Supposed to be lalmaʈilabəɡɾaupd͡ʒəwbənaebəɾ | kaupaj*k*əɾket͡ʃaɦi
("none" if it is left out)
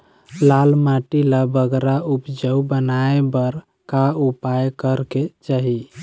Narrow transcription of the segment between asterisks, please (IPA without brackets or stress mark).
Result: k